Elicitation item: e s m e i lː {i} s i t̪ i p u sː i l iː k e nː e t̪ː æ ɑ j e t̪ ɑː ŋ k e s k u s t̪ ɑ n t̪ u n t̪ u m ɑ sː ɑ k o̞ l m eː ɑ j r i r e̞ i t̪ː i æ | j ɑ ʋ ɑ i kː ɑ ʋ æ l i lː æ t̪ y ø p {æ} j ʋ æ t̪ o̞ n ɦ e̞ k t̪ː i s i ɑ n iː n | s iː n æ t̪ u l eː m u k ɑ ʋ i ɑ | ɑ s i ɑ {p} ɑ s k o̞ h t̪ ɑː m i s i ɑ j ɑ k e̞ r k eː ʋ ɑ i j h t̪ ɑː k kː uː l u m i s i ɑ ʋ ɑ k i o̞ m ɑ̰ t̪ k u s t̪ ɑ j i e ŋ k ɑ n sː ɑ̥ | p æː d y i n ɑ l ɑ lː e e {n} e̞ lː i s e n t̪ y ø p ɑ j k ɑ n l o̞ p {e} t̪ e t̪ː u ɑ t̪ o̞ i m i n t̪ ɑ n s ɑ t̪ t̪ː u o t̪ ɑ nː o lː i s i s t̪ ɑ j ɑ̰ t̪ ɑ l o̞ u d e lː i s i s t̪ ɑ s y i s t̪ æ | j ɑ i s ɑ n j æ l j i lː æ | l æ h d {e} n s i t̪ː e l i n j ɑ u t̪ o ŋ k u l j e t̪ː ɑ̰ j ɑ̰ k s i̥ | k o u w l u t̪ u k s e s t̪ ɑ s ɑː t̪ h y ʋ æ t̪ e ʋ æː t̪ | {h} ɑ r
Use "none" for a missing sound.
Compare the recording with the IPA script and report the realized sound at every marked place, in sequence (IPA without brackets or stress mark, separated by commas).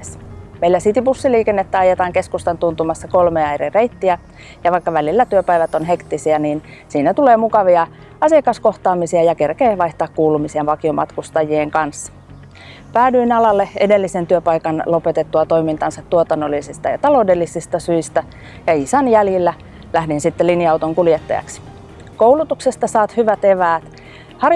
æ, æ, k, d, e, i, h